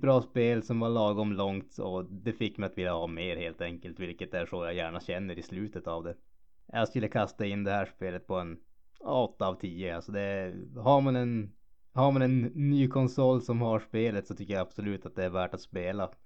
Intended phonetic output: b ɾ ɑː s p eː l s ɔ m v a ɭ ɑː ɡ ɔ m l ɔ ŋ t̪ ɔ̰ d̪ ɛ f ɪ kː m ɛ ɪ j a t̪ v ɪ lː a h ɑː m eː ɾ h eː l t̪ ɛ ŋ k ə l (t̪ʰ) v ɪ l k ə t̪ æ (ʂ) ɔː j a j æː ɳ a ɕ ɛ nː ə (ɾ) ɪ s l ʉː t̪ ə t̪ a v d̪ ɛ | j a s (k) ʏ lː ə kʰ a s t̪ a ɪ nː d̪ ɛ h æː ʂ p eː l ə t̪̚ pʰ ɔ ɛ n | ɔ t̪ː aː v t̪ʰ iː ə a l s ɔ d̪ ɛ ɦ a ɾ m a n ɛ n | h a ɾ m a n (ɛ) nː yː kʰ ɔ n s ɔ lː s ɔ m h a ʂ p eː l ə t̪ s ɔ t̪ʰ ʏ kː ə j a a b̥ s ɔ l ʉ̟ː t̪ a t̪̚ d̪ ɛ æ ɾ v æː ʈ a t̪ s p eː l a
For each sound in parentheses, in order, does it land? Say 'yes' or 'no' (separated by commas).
no, yes, yes, yes, yes